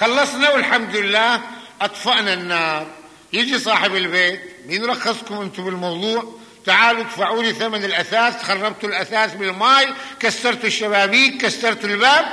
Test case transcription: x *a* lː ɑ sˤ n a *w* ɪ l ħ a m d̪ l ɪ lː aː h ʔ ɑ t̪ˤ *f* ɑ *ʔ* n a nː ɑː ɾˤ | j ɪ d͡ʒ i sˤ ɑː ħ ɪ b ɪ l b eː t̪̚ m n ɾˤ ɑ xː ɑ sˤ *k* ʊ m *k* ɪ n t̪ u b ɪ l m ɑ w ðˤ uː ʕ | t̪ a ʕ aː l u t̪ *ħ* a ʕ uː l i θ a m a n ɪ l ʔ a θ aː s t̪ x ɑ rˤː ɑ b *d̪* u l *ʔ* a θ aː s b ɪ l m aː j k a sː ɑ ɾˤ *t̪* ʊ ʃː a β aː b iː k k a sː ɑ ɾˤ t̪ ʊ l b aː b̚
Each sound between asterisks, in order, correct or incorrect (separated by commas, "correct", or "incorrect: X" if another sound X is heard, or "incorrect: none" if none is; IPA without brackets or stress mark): incorrect: ɑ, correct, correct, correct, correct, incorrect: ʔ, incorrect: f, incorrect: t̪, correct, correct